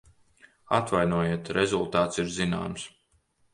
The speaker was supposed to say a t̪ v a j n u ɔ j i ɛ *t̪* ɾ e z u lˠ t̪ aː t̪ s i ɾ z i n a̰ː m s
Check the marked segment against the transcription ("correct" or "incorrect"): correct